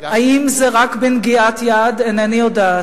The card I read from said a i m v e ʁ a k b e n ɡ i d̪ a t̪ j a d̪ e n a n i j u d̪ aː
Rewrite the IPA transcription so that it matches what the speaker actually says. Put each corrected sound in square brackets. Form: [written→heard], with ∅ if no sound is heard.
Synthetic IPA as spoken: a i m [v→z] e ʁ a k b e n ɡ i [d̪→∅] a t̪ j a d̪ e n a n i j [u→o] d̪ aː